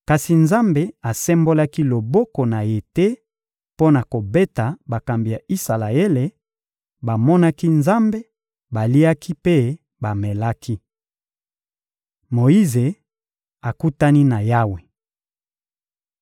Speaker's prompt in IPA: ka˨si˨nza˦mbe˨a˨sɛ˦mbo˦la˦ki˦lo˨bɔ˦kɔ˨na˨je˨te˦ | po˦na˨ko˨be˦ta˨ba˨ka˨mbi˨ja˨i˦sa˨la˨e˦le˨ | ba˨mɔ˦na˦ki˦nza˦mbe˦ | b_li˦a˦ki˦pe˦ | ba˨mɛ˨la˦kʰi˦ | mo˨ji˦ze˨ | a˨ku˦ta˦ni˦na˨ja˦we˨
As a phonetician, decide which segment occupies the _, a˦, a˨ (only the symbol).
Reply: a˨